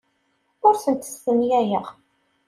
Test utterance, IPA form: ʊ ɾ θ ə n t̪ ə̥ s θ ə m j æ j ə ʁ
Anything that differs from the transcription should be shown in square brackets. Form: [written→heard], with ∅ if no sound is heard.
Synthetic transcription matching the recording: ʊ ɾ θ ə n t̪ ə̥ s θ ə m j æ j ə ʁ